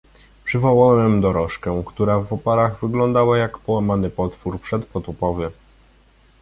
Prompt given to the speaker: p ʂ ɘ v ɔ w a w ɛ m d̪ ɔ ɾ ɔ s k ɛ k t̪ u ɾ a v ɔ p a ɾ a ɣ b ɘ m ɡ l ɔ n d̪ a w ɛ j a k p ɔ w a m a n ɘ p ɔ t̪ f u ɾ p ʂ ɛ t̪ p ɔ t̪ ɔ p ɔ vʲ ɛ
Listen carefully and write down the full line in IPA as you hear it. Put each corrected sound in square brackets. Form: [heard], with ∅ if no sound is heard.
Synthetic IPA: p ʂ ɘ v ɔ w a w ɛ m d̪ ɔ ɾ ɔ [ʂ] k ɛ k t̪ u ɾ a v ɔ p a ɾ a ɣ [v] ɘ [∅] ɡ l ɔ n d̪ a w [a] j a k p ɔ w a m a n ɘ p ɔ t̪ f u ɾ p ʂ ɛ t̪ p ɔ t̪ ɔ p ɔ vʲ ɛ

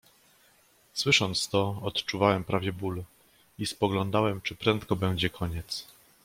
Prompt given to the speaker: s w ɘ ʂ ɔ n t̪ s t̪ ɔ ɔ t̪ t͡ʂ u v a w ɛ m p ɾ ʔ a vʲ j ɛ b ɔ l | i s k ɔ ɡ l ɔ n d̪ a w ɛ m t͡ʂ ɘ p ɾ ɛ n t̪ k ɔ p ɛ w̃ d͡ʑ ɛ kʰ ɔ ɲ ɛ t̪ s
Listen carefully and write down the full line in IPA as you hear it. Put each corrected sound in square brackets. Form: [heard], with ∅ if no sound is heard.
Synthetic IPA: s w ɘ ʂ ɔ n t̪ s t̪ ɔ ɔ t̪ t͡ʂ u v a w ɛ m p ɾ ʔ a vʲ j ɛ b [u] l | i s [p] ɔ ɡ l ɔ n d̪ a w ɛ m t͡ʂ ɘ p ɾ ɛ n t̪ k ɔ [b] ɛ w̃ d͡ʑ ɛ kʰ ɔ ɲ ɛ t̪ s

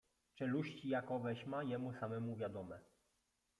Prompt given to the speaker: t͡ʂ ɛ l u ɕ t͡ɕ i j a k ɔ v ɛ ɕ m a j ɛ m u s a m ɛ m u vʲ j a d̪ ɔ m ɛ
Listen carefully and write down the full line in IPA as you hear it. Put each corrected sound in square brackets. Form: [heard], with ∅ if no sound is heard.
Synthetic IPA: t͡ʂ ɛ l u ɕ t͡ɕ i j a k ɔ v ɛ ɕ m a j ɛ m u s a m ɛ m u vʲ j a d̪ ɔ m ɛ

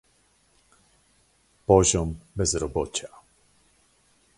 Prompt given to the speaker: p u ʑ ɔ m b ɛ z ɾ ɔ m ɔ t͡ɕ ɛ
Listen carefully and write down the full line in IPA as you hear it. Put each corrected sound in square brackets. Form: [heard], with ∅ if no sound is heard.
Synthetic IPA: p [ɔ] ʑ ɔ m b ɛ z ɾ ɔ [b] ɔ t͡ɕ [a]

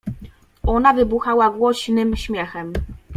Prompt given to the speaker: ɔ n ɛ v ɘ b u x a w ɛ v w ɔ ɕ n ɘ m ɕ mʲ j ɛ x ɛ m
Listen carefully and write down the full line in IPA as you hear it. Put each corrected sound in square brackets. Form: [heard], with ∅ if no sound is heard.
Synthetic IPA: ɔ n [a] v ɘ b u x a w [a] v w ɔ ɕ n ɘ m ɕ mʲ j ɛ x ɛ m

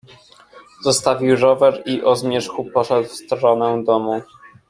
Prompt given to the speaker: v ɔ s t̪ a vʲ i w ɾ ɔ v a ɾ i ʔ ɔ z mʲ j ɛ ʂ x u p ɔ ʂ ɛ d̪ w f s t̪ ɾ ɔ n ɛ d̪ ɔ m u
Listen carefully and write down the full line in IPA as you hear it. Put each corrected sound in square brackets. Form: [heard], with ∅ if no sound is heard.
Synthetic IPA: [z] ɔ s t̪ a vʲ i w ɾ ɔ v [ɛ] ɾ i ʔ ɔ z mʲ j ɛ ʂ x u p ɔ ʂ ɛ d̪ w f s t̪ ɾ ɔ n ɛ d̪ ɔ m u

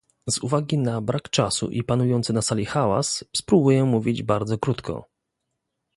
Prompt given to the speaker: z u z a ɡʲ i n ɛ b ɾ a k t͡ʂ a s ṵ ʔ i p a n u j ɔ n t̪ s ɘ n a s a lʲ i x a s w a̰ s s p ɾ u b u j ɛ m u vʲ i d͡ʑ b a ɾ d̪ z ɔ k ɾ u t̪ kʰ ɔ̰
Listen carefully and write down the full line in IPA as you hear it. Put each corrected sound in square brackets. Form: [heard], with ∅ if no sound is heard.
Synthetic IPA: z u [v] a ɡʲ i n [a] b ɾ a k t͡ʂ a s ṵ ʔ i p a n u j ɔ n t̪ s ɘ n a s a lʲ i x a [∅] w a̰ s s p ɾ u b u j ɛ m u vʲ i d͡ʑ b a ɾ d̪ z ɔ k ɾ u t̪ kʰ ɔ̰

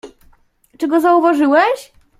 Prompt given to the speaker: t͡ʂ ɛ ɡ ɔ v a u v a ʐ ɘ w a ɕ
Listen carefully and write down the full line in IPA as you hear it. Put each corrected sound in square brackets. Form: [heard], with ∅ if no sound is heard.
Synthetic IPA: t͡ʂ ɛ ɡ ɔ [z] a u v a ʐ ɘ w [ɛ] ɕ

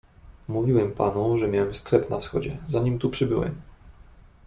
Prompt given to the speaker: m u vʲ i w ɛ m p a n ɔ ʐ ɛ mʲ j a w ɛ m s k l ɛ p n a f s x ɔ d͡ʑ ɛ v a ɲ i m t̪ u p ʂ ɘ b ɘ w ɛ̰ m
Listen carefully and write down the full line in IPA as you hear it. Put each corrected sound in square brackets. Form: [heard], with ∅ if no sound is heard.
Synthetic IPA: m u vʲ i w ɛ m p a n [u] ʐ ɛ mʲ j a w ɛ m s k l ɛ p n a f s x ɔ d͡ʑ ɛ [z] a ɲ i m t̪ u p ʂ ɘ b ɘ w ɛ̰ m

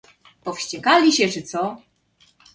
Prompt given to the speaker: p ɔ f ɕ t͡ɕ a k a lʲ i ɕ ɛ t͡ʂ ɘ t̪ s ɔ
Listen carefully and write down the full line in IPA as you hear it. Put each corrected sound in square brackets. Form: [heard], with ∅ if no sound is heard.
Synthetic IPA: p ɔ f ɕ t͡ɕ [ɛ] k a lʲ i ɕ ɛ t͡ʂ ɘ t̪ s ɔ

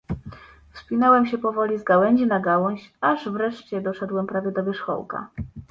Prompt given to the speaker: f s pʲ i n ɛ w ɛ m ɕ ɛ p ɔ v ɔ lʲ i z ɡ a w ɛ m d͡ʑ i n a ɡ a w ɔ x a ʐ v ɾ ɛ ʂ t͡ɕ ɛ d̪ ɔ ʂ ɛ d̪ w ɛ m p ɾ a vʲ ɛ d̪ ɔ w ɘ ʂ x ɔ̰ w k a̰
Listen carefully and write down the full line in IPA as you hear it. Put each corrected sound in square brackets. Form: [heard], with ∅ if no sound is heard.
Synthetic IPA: f s pʲ i n ɛ w ɛ m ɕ ɛ p ɔ v ɔ lʲ i z ɡ a w ɛ [ɲ] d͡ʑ i n a ɡ a w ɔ [ɕ] a ʐ v ɾ ɛ ʂ t͡ɕ ɛ d̪ ɔ ʂ ɛ d̪ w ɛ m p ɾ a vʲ ɛ d̪ ɔ [v] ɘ ʂ x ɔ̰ w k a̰

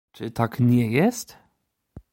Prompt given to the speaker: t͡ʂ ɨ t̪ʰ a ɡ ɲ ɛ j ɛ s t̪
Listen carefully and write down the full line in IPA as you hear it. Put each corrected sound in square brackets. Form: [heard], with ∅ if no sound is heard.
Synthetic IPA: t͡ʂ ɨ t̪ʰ a [k] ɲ ɛ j ɛ s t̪

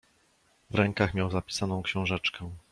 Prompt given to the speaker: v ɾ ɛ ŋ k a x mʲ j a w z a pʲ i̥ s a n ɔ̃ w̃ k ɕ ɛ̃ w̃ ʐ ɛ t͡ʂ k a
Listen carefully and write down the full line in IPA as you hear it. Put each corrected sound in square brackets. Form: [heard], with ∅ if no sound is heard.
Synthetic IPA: v ɾ ɛ ŋ k a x mʲ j a w z a pʲ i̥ s a n ɔ̃ w̃ k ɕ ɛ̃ w̃ ʐ ɛ t͡ʂ k [ɛ]

